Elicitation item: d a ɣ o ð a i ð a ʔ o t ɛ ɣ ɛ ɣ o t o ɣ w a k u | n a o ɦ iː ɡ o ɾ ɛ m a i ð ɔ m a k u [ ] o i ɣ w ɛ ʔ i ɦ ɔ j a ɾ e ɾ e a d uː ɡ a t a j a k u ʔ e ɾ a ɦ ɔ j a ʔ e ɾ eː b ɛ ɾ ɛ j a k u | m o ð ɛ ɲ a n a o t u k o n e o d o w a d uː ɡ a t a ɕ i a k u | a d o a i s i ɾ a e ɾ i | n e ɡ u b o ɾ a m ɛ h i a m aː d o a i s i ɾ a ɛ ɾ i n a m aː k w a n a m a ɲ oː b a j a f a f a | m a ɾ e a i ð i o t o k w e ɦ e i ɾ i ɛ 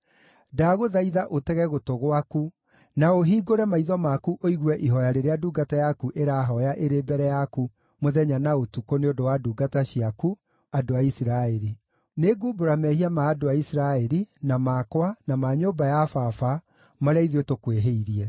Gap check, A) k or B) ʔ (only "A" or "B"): B